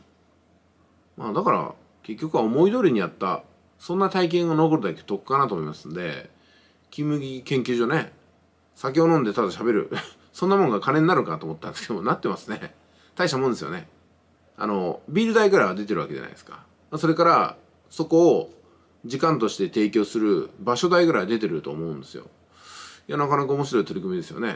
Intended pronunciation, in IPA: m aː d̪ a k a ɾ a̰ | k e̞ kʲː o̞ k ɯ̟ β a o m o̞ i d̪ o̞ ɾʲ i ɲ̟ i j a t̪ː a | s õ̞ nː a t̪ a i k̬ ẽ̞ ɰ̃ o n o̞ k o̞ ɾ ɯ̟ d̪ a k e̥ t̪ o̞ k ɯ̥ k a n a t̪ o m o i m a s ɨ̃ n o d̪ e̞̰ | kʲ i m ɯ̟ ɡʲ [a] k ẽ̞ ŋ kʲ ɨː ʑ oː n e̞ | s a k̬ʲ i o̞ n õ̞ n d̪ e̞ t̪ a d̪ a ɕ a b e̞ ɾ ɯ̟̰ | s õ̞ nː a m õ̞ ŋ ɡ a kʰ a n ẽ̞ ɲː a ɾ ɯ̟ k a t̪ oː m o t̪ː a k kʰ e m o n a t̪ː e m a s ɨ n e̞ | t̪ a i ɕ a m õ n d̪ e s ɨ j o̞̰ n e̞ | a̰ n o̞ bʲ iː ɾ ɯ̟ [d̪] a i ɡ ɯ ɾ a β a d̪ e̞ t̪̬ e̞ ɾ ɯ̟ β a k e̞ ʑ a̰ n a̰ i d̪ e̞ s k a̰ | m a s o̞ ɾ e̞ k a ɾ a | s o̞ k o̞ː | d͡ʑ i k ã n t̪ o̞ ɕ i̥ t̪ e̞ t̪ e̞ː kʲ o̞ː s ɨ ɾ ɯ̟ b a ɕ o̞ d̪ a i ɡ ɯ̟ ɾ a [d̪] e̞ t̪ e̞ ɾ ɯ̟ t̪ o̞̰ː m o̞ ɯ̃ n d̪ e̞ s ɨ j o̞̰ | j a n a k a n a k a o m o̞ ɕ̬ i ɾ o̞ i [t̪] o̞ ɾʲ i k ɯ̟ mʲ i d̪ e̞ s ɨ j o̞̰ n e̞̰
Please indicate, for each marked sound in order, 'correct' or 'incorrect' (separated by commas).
incorrect, correct, correct, correct